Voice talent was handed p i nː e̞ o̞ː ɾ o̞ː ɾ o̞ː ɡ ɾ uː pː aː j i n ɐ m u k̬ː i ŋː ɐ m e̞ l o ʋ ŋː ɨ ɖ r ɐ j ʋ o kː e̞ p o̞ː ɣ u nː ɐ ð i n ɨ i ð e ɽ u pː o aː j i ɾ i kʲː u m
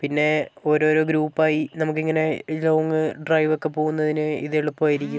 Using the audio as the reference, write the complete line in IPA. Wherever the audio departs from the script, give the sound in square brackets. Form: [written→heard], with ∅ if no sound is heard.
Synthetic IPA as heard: p i nː e̞ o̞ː ɾ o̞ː ɾ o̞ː ɡ ɾ uː pː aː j i n ɐ m u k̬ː i ŋː ɐ [m→n] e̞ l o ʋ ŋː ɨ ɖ r ɐ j ʋ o kː e̞ p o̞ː ɣ u nː ɐ ð i n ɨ i ð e [ɽ→ɭ] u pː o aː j i ɾ i kʲː u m